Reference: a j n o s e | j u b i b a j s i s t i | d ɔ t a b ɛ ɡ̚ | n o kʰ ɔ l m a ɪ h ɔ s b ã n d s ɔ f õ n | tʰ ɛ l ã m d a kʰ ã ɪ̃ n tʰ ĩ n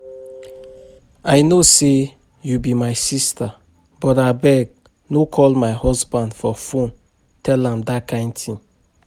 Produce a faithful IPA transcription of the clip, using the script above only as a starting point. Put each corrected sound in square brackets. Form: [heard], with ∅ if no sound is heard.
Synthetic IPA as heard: a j n o s e | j u b i [m] a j s i s t [a] | [b] ɔ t a b ɛ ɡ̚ | n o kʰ ɔ l m a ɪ h ɔ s b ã n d [f] ɔ f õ n | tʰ ɛ l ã m d a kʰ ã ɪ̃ n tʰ ĩ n